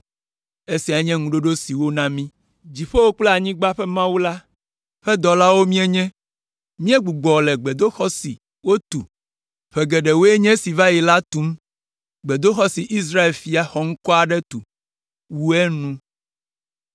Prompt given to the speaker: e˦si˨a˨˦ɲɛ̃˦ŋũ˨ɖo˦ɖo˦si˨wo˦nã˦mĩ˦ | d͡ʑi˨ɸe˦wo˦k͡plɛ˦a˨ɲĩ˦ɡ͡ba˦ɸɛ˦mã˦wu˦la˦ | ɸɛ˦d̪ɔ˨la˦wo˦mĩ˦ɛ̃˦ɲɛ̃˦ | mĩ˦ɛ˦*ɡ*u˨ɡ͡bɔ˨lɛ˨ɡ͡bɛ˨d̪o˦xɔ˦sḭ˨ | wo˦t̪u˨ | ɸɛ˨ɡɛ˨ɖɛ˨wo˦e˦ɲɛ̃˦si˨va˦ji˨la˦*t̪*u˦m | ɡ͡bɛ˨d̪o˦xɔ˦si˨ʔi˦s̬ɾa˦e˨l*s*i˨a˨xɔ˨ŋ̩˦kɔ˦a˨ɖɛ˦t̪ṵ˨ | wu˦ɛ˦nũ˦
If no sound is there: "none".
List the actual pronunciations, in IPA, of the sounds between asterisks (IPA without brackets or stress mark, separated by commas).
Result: ɡ͡b, t̪, f